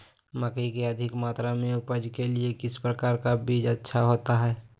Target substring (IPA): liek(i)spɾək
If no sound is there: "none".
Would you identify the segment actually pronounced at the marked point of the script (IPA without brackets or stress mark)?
ɪ